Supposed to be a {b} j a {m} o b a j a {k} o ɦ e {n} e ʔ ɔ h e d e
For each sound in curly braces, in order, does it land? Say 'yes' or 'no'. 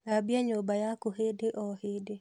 yes, no, yes, no

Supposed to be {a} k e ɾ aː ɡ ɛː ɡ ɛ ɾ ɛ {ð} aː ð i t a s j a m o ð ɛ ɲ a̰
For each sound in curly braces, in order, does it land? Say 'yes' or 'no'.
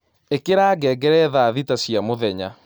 no, yes

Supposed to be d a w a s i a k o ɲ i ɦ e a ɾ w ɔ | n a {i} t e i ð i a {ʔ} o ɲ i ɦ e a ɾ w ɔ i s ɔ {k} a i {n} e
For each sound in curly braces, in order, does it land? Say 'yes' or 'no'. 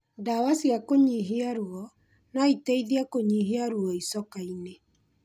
yes, no, yes, yes

